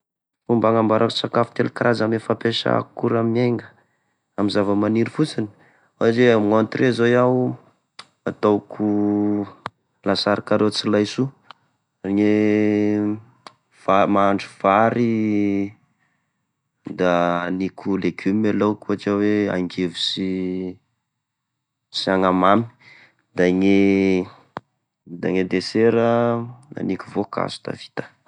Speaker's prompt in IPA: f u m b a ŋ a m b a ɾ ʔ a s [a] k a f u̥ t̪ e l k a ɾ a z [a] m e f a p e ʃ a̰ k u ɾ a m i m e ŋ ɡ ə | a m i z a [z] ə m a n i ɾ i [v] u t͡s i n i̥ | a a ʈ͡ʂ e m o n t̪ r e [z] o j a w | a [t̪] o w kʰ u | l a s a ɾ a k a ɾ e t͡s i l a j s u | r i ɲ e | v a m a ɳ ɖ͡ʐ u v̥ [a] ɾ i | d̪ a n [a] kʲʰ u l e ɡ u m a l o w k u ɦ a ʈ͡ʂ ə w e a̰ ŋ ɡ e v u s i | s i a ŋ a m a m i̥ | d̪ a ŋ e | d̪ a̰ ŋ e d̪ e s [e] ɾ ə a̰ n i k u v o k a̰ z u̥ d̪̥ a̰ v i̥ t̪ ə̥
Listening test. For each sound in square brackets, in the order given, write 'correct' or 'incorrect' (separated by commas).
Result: correct, correct, incorrect, incorrect, correct, correct, correct, incorrect, correct